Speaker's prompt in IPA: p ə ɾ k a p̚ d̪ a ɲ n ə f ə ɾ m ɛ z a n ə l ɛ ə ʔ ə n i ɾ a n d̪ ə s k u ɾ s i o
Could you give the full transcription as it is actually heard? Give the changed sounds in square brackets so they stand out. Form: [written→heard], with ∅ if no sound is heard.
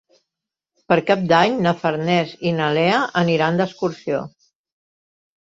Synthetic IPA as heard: p ə ɾ k a p̚ d̪ a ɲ n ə f ə ɾ [m→n] ɛ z [a→i] n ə l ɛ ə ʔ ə n i ɾ a n d̪ ə s k u ɾ s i o

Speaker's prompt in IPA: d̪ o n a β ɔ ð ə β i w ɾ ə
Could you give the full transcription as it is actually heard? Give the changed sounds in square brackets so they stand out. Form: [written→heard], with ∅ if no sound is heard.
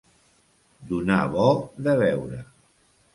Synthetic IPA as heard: d̪ [o→u] n a β ɔ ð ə β [i→ɛ] w ɾ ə

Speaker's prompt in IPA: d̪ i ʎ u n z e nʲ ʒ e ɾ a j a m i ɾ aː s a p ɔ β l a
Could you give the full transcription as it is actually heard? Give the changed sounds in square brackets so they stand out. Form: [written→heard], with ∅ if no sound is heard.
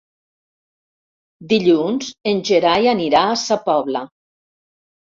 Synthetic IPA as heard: d̪ i ʎ u n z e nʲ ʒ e ɾ a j a [m→n] i ɾ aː s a p ɔ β l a

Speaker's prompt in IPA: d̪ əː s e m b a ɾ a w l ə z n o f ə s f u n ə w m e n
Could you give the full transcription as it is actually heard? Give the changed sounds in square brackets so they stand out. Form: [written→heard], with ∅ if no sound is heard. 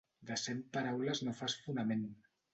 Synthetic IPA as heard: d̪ [əː→ə] s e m [b→p] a ɾ a w l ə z n o f [ə→a] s f u n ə [w→∅] m e n

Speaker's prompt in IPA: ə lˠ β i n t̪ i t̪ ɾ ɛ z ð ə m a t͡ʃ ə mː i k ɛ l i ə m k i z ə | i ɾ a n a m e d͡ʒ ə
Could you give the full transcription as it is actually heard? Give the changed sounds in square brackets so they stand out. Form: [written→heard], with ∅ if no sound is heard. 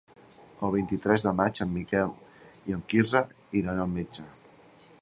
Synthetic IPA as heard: ə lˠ β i n t̪ i t̪ ɾ ɛ z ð ə m a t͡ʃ ə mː i k ɛ l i ə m k i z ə | i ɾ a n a m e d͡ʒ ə

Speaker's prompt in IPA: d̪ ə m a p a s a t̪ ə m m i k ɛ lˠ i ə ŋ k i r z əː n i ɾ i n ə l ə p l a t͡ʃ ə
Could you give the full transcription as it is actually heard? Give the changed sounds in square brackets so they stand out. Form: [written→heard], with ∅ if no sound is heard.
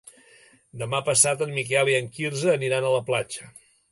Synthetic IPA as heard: d̪ ə m a p [a→ə] s a t̪ ə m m i k ɛ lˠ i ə ŋ k i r z əː n i ɾ [i→a] n ə l ə p l a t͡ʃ ə

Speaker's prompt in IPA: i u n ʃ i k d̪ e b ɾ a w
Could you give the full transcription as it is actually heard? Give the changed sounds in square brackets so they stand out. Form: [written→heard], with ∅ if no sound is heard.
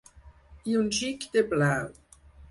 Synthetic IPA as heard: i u n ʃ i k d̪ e b [ɾ→l] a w

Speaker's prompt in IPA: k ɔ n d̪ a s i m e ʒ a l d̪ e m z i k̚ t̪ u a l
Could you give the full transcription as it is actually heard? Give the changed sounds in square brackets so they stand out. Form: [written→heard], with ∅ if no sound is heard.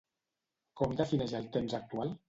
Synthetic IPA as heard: k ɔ [n→m] d̪ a [s→f] i [m→n] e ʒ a l [d̪→t̪] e m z [i→a] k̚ t̪ u a l

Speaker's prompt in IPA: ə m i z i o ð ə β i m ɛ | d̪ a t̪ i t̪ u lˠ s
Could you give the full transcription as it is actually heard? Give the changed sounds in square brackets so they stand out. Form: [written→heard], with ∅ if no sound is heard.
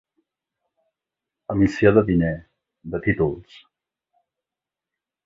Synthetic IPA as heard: ə m i [z→s] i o ð ə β i [m→n] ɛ | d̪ [a→ə] t̪ i t̪ u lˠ s

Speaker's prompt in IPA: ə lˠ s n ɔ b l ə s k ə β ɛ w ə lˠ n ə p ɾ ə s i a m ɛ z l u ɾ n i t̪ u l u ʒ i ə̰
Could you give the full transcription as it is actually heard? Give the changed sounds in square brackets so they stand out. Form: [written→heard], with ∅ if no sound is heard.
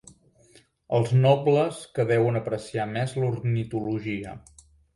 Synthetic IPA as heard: ə lˠ [s→z] n ɔ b l ə s k ə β ɛ w ə [lˠ→∅] n ə p ɾ ə s i a m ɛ z l u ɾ n i t̪ u l u ʒ i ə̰

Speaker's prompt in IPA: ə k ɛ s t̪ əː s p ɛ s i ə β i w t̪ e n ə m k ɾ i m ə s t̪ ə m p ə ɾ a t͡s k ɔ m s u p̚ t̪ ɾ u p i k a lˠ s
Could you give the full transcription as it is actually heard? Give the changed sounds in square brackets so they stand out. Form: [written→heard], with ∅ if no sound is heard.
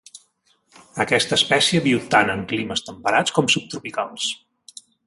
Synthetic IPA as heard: ə k ɛ s t̪ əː s p ɛ s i ə β i w t̪ [e→a] n ə [m→ŋ] k [ɾ→l] i m ə s t̪ ə m p ə ɾ a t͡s k ɔ m s u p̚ t̪ ɾ u p i k a lˠ s

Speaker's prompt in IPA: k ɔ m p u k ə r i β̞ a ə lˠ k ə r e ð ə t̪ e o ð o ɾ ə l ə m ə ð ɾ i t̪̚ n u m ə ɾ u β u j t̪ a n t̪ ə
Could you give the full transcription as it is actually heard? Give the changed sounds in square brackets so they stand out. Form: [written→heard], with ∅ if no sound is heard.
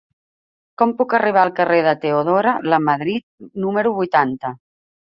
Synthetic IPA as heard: k ɔ m p u k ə r i β̞ a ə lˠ k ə r e ð ə t̪ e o ð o ɾ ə l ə m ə ð ɾ i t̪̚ n u m ə ɾ u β u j t̪ a n t̪ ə

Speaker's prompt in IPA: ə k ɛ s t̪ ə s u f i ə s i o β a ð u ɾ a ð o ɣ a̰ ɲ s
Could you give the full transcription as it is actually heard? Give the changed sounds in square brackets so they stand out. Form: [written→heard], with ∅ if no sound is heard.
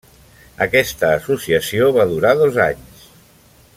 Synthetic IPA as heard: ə k ɛ s t̪ [ə→əː] s u [f→s] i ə s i o β a ð u ɾ a ð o [ɣ→z] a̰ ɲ s

